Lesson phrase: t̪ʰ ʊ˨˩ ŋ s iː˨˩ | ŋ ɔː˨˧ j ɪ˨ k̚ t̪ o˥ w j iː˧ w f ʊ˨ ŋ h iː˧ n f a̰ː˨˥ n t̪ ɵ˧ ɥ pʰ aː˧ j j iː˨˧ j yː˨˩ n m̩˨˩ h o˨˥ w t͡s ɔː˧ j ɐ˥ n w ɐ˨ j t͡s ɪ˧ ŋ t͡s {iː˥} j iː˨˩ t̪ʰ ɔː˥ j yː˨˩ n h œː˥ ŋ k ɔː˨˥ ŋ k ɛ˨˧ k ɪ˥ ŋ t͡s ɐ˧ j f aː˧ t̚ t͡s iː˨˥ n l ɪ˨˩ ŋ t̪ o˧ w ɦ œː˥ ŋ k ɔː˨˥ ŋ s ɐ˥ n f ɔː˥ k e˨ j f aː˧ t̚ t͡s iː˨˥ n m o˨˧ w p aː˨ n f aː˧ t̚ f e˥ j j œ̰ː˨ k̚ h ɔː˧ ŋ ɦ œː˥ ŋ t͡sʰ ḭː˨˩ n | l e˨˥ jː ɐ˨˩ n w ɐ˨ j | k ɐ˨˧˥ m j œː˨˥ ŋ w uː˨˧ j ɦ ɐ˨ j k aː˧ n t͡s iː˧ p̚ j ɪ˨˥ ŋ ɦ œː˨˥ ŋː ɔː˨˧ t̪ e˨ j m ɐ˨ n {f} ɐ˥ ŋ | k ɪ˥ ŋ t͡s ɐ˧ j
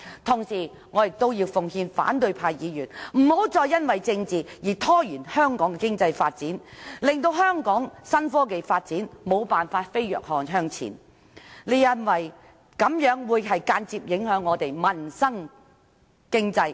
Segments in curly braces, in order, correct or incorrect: incorrect: iː˨, incorrect: s

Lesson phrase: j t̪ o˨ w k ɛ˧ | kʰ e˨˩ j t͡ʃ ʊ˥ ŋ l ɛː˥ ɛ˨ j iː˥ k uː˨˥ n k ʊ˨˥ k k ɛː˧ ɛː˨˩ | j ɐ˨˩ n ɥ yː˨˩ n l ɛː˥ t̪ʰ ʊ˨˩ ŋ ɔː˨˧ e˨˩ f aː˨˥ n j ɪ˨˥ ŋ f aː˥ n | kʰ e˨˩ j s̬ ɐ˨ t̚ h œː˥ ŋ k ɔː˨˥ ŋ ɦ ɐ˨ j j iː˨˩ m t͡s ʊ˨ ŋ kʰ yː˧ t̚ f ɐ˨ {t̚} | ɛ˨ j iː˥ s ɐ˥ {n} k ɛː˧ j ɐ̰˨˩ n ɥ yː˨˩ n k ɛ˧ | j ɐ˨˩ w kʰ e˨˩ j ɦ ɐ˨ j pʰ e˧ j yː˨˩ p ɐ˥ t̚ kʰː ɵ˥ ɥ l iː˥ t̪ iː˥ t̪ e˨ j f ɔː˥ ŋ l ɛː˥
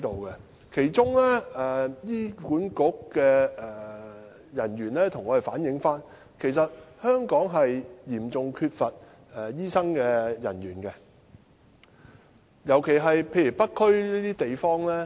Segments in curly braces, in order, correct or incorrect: correct, incorrect: ŋ

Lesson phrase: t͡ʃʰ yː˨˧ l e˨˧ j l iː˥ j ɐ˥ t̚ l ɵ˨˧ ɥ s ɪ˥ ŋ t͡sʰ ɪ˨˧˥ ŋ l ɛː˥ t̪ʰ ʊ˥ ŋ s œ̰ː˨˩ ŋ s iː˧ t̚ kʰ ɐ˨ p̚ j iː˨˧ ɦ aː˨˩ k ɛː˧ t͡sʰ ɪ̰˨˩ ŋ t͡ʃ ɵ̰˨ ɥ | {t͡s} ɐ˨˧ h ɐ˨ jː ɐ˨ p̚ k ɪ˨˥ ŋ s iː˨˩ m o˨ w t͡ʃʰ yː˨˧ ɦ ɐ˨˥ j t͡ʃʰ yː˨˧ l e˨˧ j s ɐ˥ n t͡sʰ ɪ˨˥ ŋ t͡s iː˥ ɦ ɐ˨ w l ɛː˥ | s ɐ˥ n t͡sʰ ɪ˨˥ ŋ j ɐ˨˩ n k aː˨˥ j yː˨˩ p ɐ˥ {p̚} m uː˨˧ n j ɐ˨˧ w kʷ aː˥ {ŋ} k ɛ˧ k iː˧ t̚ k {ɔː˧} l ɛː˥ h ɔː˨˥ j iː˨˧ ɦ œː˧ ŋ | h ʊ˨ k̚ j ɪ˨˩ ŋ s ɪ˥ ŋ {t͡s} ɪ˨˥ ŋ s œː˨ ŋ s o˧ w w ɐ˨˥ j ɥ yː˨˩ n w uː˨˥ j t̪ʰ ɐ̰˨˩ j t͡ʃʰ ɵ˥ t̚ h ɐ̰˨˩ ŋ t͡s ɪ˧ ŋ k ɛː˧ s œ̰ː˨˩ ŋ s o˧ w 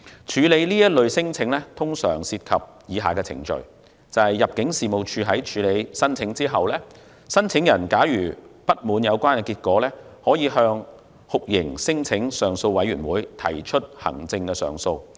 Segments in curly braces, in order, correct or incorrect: correct, incorrect: t̚, incorrect: n, incorrect: ɔː˨˥, incorrect: t͡sʰ

